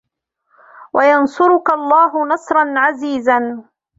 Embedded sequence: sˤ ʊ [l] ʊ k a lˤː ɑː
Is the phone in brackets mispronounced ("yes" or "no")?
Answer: yes